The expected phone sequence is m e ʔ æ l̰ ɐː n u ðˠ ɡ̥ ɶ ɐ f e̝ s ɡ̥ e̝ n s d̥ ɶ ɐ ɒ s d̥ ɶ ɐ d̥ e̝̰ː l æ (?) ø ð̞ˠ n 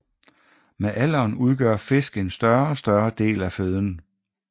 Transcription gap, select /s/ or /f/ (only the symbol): f